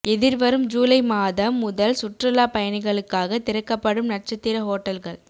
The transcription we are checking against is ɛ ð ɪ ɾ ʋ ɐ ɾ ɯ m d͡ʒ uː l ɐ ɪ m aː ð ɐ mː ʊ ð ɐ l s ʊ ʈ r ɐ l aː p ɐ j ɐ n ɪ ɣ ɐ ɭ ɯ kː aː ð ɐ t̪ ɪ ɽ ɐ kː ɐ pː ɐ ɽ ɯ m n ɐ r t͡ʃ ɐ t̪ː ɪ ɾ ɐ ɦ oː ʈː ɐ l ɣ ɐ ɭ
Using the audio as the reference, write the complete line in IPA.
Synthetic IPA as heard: ɛ ð ɪ ɾ ʋ ɐ ɾ ɯ m d͡ʒ uː l ɐ ɪ m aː ð ɐ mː ʊ ð ɐ l s ʊ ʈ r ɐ l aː p ɐ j ɐ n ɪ ɣ ɐ ɭ ɯ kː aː ɣ ɐ t̪ ɪ ɾ ɐ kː ɐ pː ɐ ɽ ɯ m n ɐ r t͡ʃ ɐ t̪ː ɪ ɾ ɐ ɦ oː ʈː ɐ l ɣ ɐ ɭ